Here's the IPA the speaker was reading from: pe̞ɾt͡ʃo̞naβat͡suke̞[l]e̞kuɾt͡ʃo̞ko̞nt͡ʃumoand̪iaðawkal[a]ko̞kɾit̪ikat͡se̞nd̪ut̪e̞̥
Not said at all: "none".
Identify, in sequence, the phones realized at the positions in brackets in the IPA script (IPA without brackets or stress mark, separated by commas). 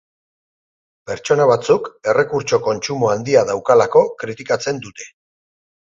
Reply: r, a